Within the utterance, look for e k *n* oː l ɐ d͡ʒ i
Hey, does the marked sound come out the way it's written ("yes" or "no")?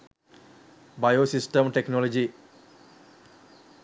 yes